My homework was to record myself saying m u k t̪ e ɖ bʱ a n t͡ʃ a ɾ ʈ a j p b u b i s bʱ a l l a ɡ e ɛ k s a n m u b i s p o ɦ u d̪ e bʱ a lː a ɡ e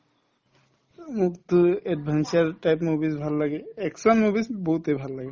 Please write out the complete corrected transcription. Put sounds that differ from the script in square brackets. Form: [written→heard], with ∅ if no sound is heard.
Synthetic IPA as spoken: m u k t̪ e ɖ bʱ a n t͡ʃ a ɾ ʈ a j p [b→m] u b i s bʱ a l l a ɡ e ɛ k s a n m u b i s [p→b] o ɦ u [d̪→t̪] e bʱ a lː a ɡ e